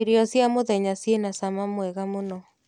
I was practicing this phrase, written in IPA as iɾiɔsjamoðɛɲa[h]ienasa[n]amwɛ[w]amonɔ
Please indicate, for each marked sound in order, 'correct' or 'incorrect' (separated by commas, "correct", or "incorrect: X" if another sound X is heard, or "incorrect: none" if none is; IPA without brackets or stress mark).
incorrect: s, incorrect: m, incorrect: ɣ